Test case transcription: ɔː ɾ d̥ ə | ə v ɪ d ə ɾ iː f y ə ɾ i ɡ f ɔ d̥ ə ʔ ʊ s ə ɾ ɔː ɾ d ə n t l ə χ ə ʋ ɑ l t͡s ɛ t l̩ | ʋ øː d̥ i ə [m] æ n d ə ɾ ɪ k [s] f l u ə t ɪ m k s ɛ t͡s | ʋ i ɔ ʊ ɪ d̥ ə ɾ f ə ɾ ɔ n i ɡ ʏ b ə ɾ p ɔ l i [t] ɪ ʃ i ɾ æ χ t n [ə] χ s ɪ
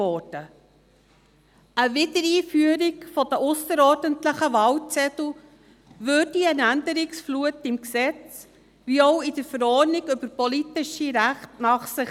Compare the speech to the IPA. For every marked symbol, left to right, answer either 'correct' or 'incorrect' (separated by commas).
incorrect, correct, correct, incorrect